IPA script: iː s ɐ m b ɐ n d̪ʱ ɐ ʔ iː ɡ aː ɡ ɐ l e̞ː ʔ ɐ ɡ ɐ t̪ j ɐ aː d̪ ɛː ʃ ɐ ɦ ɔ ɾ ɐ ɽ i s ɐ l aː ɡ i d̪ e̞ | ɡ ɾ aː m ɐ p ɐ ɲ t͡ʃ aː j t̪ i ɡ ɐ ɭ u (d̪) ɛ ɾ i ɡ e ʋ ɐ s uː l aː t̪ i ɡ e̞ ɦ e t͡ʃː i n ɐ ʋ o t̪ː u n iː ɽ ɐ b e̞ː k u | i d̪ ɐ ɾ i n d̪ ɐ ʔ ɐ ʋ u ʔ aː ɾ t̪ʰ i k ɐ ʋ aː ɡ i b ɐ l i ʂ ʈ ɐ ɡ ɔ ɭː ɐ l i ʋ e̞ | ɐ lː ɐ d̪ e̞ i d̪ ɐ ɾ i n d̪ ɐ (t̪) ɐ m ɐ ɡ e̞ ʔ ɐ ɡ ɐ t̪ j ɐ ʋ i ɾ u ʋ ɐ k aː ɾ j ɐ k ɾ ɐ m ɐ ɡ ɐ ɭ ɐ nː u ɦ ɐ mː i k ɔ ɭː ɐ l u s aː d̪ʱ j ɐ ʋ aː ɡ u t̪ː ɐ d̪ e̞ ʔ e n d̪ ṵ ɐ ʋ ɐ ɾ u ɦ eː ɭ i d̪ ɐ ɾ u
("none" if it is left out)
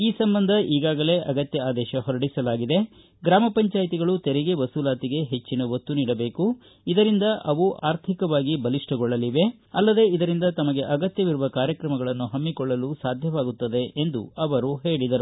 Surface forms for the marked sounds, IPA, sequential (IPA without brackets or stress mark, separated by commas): t̪, t̪